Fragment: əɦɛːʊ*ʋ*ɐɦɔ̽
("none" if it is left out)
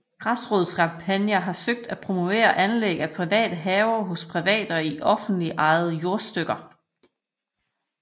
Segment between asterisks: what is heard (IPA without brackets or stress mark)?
none